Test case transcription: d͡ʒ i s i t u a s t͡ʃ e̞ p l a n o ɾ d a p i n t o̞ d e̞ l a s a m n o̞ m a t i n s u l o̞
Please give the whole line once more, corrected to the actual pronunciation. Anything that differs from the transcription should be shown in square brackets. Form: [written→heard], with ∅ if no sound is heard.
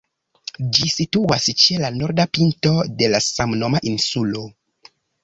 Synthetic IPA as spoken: d͡ʒ i s i t u a s t͡ʃ e̞ [p→∅] l a n o ɾ d a p i n t o̞ d e̞ l a s a m n o̞ m a [t→ʔ] i n s u l o̞

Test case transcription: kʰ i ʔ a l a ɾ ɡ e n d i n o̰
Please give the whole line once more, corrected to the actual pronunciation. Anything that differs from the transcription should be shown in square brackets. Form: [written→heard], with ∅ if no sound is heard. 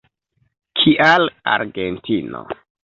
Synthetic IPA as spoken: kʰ i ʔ a l a ɾ ɡ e n [d→t] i n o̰

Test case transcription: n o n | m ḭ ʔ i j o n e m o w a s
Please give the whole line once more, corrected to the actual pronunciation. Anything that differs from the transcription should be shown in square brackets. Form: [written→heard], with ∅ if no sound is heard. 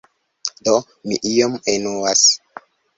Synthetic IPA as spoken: [n→d] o [n→∅] | m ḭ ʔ i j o [n→m] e [m→n] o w a s

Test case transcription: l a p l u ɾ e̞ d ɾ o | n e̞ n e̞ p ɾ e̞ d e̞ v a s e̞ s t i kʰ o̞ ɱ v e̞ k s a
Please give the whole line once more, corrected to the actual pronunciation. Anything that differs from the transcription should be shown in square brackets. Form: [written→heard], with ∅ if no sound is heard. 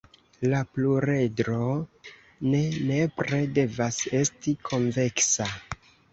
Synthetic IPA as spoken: l a p l u ɾ e̞ d ɾ o | n e̞ n e̞ p ɾ e̞ d e̞ v a s e̞ s t i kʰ o̞ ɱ v e̞ k s a

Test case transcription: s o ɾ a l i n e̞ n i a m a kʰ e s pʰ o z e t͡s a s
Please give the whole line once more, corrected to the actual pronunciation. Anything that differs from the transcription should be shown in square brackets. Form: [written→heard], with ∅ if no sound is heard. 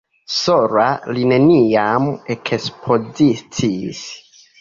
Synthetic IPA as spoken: s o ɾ a l i n e̞ n i a m [a→e] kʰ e s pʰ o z [e→i] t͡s [a→i] s

